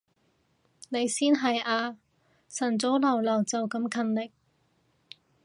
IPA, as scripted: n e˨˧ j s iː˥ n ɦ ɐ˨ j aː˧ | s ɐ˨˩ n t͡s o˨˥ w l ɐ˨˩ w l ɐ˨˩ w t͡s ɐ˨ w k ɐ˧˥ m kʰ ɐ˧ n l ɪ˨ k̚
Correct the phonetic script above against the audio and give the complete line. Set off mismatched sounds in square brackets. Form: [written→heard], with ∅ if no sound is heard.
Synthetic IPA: n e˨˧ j s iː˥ n ɦ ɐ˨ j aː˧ | s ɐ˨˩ n t͡s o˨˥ w l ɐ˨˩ w l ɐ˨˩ w t͡s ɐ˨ w k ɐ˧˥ m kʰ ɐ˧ n l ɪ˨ k̚